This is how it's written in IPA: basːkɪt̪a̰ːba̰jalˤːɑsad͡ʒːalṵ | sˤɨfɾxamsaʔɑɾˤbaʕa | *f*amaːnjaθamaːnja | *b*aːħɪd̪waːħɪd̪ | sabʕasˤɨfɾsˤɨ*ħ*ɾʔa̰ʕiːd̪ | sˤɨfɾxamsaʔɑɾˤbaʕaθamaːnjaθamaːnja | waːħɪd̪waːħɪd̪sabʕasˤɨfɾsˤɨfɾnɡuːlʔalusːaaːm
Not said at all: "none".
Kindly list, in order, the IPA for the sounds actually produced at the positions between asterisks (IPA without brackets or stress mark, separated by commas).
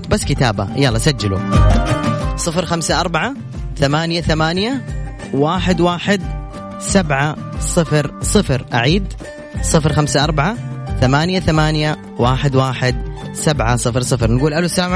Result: θ, w, f